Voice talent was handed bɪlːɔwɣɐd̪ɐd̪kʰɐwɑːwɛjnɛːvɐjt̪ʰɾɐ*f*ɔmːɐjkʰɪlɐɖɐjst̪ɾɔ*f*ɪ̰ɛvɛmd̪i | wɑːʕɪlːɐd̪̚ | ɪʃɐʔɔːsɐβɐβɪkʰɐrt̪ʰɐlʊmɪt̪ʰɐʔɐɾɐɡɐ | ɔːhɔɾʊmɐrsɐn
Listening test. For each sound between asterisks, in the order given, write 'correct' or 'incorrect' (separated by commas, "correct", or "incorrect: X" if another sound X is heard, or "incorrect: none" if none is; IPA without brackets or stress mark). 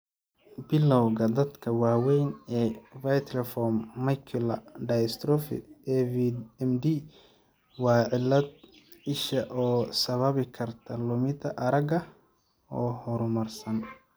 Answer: correct, correct